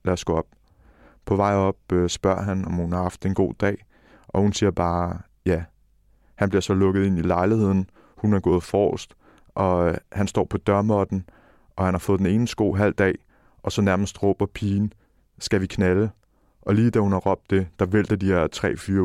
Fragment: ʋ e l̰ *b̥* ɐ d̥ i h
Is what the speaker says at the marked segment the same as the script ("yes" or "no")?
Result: no